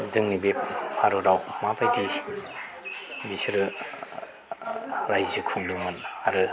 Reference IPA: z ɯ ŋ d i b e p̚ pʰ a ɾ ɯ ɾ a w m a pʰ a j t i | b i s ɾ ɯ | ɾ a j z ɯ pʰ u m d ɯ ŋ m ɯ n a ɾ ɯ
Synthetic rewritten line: z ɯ ŋ n i b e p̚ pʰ a ɾ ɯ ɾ a w m a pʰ a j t i | b i s ɾ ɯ | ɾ a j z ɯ kʰ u ŋ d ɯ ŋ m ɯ n a ɾ ɯ